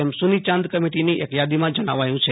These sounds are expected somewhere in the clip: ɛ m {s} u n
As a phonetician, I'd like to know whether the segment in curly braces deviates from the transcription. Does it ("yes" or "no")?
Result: no